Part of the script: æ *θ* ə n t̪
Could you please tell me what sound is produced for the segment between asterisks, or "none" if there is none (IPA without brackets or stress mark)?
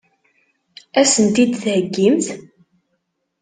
s